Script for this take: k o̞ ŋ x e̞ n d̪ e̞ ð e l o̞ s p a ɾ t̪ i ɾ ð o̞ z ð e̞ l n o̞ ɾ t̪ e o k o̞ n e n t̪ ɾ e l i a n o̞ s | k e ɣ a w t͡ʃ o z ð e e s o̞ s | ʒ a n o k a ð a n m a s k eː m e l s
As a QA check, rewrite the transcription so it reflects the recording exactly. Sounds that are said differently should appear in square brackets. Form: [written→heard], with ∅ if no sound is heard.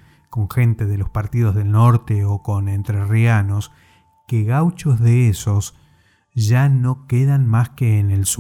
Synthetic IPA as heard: k o̞ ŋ x e̞ n [d̪→t̪] e̞ ð e l o̞ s p a ɾ t̪ i [ɾ→∅] ð o̞ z ð e̞ l n o̞ ɾ t̪ e o k o̞ n e n t̪ ɾ e [l→r] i a n o̞ s | k e ɣ a w t͡ʃ o z ð e e s o̞ s | ʒ a n o k [a→e] ð a n m a s k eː [m→n] e l s